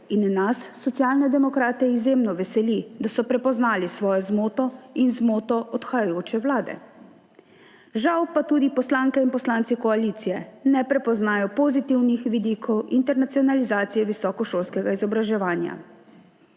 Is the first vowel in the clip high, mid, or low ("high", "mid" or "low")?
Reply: high